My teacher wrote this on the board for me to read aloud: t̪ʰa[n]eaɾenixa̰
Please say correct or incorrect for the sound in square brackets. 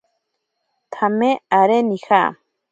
incorrect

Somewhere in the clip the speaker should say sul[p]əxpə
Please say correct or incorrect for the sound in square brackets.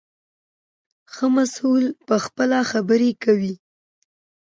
correct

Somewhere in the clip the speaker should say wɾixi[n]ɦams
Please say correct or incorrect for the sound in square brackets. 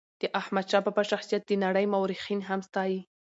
correct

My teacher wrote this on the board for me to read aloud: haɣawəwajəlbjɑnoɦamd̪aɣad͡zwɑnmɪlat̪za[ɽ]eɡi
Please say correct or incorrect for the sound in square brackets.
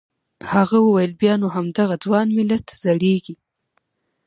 correct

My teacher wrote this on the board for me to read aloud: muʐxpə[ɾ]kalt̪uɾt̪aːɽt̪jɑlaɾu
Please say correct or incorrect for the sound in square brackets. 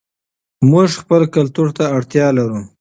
incorrect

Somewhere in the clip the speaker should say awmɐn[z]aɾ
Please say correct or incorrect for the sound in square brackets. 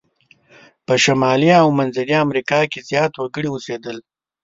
correct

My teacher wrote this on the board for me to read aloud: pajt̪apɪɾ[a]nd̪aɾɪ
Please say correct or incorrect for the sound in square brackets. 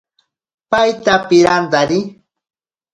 correct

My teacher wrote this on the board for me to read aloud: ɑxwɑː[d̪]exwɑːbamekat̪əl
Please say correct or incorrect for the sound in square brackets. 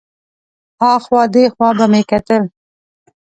correct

